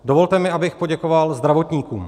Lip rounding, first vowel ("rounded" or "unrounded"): rounded